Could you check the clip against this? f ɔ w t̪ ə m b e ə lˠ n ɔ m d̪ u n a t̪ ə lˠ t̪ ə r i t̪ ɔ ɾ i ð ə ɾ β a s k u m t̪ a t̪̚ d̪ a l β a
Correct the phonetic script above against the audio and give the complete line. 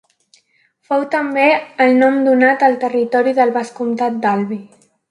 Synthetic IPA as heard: f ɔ w t̪ ə m b e ə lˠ n ɔ m d̪ u n a t̪ ə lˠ t̪ ə r i t̪ ɔ ɾ i ð ə l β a s k u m t̪ a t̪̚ d̪ a l β i